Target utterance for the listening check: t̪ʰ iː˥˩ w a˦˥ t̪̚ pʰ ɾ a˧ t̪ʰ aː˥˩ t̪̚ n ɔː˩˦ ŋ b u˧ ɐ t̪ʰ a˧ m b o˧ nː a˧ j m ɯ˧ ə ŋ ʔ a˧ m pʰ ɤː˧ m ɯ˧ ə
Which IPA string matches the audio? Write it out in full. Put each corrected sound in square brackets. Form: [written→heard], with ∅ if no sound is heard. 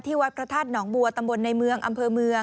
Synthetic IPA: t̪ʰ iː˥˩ w a˦˥ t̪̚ pʰ ɾ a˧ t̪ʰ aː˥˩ t̪̚ n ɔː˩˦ ŋ b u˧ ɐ [t̪ʰ→t̪] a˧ m b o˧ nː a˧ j m ɯ˧ ə ŋ ʔ a˧ m pʰ ɤː˧ m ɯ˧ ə